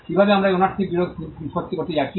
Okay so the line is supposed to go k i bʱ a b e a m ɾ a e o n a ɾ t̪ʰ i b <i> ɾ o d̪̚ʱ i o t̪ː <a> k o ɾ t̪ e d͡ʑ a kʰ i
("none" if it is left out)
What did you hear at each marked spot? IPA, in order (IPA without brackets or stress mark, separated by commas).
i, i